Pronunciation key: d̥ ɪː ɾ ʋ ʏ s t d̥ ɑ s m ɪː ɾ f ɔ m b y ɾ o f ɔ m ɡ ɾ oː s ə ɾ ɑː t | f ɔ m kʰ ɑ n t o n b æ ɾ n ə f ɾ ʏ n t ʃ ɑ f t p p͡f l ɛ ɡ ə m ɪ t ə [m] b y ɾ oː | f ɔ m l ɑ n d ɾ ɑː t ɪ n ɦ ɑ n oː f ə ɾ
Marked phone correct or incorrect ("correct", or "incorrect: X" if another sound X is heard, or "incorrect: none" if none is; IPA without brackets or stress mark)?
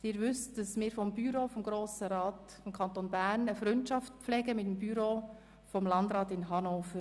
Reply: correct